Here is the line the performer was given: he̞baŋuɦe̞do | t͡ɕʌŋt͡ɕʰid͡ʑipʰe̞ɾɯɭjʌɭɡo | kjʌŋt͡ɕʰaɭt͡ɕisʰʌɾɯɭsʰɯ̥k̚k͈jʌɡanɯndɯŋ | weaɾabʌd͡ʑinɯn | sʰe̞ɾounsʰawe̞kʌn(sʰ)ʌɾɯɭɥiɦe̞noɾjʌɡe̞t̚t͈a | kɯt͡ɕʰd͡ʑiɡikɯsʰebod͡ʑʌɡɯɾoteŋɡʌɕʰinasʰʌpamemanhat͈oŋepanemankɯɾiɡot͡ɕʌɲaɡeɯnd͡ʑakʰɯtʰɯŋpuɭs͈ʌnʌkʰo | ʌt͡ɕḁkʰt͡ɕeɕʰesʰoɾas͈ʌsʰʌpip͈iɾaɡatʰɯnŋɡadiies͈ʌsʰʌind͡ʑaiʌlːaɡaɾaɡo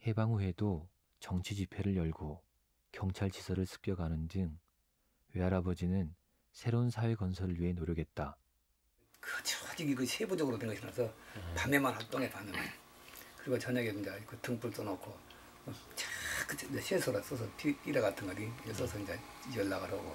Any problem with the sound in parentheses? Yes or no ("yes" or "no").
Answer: no